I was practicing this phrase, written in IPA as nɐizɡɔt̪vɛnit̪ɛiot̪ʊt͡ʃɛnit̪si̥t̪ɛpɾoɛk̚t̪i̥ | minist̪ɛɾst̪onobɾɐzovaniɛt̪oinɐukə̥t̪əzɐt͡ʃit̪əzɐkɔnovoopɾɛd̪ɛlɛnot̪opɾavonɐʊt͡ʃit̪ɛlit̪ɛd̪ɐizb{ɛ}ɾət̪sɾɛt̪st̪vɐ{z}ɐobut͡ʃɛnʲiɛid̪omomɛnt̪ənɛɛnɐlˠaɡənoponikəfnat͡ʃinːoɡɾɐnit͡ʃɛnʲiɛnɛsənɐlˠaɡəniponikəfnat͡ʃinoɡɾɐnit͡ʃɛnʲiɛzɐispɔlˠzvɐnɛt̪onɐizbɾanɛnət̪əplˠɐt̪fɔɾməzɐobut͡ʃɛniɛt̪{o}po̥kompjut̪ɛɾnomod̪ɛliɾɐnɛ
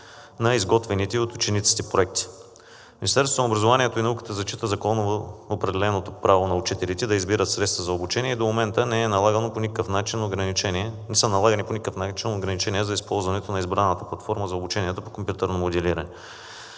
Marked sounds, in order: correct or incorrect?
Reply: incorrect, correct, correct

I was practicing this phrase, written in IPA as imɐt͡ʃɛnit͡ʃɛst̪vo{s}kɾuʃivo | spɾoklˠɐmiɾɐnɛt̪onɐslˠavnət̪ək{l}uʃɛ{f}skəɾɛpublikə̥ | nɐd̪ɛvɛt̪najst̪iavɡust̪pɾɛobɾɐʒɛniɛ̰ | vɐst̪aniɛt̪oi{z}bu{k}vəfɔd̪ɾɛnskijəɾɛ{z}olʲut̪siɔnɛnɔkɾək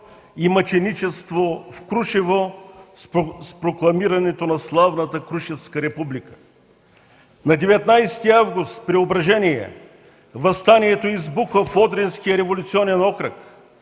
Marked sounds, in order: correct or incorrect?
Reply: incorrect, incorrect, correct, correct, incorrect, incorrect

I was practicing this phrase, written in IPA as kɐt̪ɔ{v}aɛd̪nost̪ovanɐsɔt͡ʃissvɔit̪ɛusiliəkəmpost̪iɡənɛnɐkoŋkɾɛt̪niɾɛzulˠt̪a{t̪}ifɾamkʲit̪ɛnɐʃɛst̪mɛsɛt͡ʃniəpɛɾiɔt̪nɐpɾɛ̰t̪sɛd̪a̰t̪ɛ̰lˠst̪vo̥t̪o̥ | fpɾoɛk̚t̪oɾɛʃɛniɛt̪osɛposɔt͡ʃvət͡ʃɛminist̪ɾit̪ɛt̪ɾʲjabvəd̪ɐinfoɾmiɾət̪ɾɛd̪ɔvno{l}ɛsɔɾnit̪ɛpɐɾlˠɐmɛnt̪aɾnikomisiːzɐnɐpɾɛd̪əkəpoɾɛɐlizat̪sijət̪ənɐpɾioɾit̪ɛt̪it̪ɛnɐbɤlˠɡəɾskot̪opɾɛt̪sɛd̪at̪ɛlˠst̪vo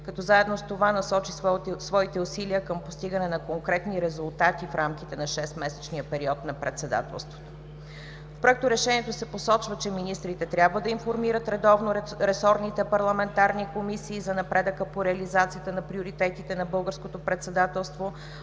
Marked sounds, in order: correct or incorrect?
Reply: incorrect, correct, incorrect

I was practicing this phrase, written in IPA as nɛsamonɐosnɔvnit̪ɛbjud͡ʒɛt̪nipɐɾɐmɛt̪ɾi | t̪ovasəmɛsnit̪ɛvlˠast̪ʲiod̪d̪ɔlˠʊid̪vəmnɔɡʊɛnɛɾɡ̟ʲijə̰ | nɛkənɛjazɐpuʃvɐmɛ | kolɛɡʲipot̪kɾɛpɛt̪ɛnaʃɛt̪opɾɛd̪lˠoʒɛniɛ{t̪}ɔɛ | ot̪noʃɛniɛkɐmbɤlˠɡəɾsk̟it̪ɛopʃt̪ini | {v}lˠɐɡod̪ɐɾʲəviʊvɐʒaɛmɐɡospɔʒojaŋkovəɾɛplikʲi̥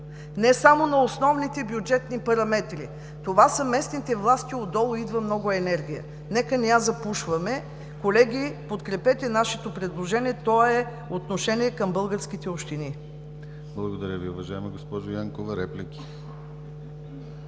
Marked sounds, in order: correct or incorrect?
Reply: correct, incorrect

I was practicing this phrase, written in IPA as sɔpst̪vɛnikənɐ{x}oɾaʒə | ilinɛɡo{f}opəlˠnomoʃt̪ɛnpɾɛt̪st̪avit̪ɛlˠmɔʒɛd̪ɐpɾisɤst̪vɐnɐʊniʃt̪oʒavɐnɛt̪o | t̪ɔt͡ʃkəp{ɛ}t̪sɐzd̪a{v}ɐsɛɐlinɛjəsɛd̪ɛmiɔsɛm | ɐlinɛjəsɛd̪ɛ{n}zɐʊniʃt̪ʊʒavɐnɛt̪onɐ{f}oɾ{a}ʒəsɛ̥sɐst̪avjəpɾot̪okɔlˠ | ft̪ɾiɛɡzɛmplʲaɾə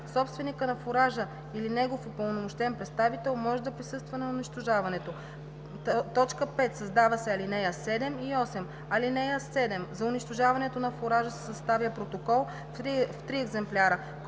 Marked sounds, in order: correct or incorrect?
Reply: incorrect, correct, correct, correct, incorrect, correct, correct

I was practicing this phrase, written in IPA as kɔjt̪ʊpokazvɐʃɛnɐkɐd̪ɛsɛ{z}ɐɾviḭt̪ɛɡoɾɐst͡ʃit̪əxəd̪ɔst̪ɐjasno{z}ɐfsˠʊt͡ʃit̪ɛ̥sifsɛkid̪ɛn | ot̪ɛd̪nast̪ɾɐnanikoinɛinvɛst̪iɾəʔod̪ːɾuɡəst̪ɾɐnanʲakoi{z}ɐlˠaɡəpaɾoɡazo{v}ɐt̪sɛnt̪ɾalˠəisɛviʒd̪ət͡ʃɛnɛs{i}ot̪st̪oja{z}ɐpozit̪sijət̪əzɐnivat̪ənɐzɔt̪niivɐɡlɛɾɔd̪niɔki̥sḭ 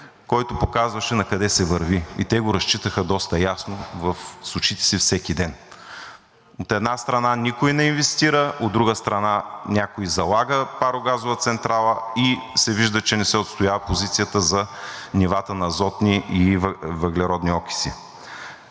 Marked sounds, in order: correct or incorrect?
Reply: incorrect, incorrect, correct, correct, incorrect, incorrect

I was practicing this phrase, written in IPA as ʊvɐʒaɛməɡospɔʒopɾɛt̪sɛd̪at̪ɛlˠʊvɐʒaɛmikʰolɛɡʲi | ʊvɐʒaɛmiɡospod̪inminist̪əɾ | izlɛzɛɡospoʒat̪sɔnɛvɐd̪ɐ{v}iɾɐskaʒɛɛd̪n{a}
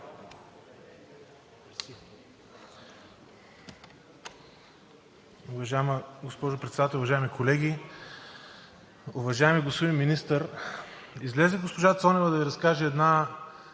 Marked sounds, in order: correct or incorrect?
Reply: correct, correct

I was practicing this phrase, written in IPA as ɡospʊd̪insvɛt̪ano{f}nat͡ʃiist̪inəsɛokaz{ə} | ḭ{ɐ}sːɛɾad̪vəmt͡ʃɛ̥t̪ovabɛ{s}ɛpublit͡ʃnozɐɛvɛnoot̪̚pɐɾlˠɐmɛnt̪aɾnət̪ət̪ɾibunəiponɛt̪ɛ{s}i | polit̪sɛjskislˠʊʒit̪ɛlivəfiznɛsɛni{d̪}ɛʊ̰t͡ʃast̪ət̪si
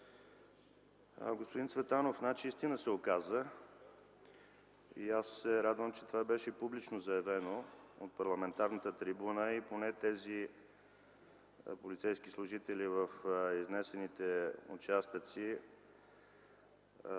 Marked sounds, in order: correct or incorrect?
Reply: correct, correct, incorrect, incorrect, incorrect, incorrect

